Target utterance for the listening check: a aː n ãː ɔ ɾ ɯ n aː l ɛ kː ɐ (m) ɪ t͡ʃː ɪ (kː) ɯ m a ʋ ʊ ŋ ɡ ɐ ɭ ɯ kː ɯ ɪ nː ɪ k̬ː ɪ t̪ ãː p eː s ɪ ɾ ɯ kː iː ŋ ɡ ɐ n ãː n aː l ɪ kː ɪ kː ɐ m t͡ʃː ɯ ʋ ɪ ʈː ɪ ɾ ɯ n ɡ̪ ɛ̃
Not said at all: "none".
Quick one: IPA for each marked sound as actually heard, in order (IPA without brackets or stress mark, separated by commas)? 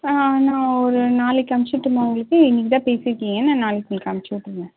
m, ʈː